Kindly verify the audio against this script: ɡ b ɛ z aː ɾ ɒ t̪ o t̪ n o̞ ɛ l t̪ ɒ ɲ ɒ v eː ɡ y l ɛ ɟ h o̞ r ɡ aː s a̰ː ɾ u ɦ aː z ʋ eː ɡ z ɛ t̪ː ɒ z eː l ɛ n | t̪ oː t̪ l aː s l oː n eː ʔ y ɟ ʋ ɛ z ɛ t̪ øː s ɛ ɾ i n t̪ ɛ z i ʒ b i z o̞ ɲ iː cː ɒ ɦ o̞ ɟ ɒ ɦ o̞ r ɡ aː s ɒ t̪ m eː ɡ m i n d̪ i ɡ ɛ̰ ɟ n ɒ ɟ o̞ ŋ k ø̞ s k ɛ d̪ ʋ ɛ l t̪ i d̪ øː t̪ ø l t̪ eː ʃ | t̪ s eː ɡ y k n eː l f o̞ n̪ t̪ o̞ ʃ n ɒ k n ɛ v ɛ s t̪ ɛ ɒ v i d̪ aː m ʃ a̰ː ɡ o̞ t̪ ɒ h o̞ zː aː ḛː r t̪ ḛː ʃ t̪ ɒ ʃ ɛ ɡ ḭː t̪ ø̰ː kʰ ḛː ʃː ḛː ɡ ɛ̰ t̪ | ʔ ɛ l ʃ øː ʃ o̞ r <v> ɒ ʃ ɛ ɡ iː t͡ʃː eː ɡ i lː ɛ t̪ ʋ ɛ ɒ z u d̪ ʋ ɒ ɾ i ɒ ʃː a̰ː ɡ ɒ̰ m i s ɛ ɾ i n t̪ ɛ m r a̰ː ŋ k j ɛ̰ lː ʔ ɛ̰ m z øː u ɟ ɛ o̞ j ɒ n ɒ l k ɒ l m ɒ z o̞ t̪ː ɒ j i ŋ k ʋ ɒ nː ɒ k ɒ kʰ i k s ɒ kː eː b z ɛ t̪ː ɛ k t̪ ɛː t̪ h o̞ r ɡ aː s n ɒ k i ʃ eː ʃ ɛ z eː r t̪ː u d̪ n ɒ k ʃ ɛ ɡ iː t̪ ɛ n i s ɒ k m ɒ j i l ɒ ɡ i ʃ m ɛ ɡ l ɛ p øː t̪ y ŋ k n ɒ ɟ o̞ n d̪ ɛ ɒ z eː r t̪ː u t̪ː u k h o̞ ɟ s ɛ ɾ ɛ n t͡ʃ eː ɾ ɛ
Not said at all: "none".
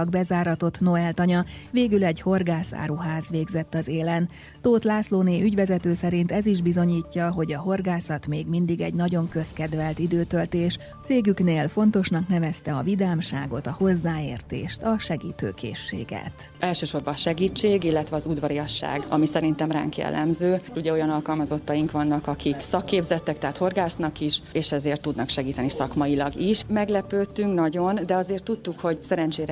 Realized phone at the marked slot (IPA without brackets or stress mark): b